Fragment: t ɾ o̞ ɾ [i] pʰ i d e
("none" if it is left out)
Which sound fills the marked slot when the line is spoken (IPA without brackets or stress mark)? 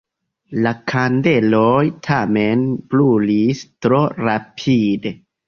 a